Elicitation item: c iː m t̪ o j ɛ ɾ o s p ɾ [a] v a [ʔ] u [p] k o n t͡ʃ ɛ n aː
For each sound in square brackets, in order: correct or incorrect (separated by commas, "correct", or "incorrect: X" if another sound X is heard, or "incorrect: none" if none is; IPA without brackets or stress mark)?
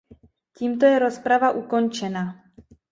correct, correct, incorrect: none